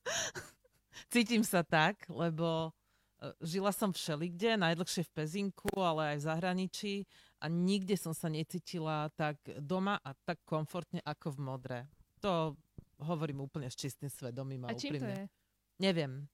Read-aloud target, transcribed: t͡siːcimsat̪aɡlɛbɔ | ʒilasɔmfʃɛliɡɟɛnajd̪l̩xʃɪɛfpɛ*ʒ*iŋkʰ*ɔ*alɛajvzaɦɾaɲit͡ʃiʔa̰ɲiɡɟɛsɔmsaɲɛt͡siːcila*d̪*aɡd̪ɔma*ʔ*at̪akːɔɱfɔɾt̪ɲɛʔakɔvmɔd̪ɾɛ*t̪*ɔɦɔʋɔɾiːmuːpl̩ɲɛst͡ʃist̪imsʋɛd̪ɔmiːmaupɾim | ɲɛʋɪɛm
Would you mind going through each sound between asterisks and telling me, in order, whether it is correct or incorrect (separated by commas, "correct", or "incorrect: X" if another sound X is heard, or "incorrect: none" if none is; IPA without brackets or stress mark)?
incorrect: z, incorrect: u, incorrect: t̪, correct, correct